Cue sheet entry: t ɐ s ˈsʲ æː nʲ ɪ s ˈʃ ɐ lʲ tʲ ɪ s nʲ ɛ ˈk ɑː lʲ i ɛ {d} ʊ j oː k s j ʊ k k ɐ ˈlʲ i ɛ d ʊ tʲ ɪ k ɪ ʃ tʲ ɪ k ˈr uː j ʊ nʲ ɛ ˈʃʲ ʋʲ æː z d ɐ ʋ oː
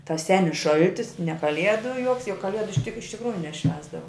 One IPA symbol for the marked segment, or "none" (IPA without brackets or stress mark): d